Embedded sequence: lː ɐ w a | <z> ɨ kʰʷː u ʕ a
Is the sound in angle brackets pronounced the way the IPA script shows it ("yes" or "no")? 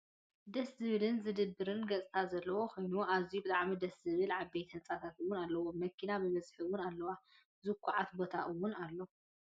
yes